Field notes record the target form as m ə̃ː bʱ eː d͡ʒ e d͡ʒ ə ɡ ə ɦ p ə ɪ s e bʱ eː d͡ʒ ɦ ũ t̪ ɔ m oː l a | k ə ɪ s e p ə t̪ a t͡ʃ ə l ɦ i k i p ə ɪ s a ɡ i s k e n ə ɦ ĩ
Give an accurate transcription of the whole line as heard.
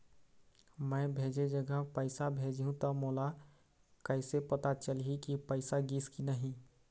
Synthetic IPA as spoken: m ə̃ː bʱ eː d͡ʒ e d͡ʒ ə ɡ ə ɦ p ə ɪ s a bʱ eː d͡ʒ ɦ ũ t̪ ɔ m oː l a | k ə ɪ s e p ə t̪ a t͡ʃ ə l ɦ i k i p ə ɪ s a ɡ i s k i n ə ɦ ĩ